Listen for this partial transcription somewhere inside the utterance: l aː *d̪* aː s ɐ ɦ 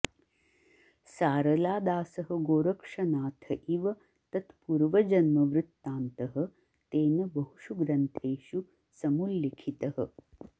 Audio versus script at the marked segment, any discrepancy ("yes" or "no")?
no